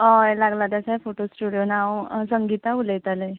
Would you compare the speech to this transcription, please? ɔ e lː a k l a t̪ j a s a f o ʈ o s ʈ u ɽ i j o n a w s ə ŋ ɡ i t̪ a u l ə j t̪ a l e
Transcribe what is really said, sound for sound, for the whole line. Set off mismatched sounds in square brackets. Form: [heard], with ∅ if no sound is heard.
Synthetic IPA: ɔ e [l] a [ɡ] l a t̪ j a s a f o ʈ o s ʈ u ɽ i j o n a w s ə ŋ ɡ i t̪ a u l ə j t̪ a l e